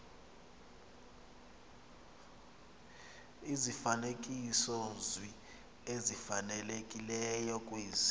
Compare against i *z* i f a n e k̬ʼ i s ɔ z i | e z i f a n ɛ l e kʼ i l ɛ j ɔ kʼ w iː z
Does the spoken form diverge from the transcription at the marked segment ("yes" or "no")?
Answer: no